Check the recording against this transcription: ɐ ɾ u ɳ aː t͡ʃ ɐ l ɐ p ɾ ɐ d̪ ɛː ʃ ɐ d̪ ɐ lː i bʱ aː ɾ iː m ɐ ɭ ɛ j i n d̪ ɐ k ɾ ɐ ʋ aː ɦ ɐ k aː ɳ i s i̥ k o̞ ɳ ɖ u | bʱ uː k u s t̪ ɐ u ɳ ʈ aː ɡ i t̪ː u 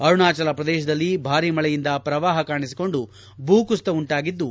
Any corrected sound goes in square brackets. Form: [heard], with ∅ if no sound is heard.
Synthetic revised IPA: ɐ ɾ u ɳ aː t͡ʃ ɐ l ɐ p ɾ ɐ d̪ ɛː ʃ ɐ d̪ ɐ lː i bʱ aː ɾ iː m ɐ ɭ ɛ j i n d̪ ɐ [p] ɾ ɐ ʋ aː ɦ ɐ k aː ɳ i s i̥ k o̞ ɳ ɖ u | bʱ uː k u s t̪ ɐ u ɳ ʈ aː ɡ i [d̪ː] u